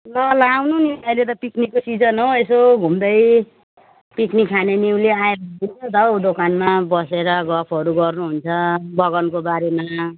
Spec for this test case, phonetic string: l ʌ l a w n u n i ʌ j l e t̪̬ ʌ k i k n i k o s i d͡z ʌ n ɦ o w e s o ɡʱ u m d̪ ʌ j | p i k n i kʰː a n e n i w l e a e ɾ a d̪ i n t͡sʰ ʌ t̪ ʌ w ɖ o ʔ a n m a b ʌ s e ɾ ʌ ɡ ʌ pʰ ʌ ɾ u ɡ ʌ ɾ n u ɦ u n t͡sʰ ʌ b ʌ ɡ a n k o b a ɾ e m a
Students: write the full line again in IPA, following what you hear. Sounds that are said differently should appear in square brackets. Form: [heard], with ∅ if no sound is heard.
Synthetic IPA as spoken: l ʌ l a w n u n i ʌ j l e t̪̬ ʌ [p] i k n i k o s i d͡z ʌ n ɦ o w e s o ɡʱ u m d̪ ʌ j | p i k n i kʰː a n e n i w l e a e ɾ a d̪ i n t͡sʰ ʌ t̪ ʌ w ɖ o [k] a n m a b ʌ s e ɾ ʌ ɡ ʌ pʰ ʌ ɾ u ɡ ʌ [r] n u ɦ u n t͡sʰ ʌ b ʌ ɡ [ʌ] n k o b a ɾ e m a